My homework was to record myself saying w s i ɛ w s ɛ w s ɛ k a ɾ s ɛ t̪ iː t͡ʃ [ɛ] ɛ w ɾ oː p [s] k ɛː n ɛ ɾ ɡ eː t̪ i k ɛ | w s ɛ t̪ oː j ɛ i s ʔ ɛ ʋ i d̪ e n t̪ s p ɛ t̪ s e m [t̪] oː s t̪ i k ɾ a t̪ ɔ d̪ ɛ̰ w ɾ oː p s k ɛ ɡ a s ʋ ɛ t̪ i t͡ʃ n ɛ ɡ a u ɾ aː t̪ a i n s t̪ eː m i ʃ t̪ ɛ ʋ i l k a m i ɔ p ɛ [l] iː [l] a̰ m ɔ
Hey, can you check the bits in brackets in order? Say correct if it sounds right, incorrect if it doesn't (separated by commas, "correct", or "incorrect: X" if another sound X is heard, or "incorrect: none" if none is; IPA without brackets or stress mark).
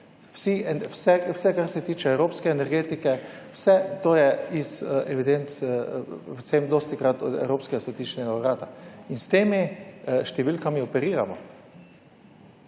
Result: correct, correct, incorrect: d̪, incorrect: ɾ, incorrect: ɾ